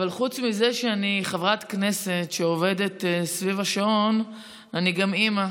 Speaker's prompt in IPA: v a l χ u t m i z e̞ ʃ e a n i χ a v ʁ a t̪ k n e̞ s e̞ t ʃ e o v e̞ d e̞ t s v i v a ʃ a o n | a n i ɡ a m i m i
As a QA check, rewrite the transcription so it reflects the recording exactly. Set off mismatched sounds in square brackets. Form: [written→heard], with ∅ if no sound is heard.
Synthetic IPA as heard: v a l χ u [t→t͡s] m i z e̞ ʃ e a n i χ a v ʁ a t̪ k n e̞ s e̞ t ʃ e o v e̞ d e̞ t s v i v a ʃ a o n | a n i ɡ a m i m [i→a]